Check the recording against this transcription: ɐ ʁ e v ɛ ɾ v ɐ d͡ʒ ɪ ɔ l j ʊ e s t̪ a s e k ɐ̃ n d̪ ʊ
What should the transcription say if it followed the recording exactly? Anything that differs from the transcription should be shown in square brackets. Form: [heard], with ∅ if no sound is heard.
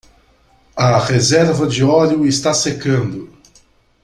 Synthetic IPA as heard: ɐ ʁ e [z] ɛ ɾ v ɐ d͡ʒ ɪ ɔ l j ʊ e s t̪ a s e k ɐ̃ n d̪ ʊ